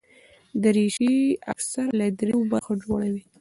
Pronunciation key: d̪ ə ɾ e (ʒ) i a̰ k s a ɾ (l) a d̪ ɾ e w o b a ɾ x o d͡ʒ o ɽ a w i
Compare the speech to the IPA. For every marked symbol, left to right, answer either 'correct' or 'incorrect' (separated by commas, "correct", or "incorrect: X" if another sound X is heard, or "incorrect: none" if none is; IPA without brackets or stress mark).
incorrect: ʃ, correct